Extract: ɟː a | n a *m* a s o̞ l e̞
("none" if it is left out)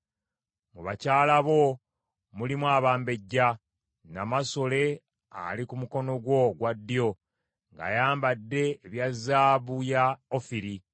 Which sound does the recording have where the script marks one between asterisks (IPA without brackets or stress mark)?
m